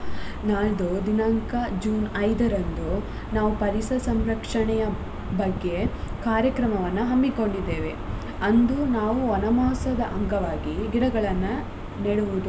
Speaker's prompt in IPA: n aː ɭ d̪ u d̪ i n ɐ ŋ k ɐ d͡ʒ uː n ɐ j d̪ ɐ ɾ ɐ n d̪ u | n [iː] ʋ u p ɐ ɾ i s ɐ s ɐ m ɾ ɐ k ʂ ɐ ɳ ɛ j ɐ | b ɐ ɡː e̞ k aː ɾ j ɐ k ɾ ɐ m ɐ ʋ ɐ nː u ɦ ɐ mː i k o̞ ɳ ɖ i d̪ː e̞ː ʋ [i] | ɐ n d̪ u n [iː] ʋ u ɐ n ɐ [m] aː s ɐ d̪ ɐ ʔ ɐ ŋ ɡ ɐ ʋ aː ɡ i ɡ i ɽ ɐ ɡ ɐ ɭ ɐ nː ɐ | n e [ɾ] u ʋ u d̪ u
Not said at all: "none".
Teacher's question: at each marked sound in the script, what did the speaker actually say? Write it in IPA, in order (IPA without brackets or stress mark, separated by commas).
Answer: aː, e, aː, m, ɽ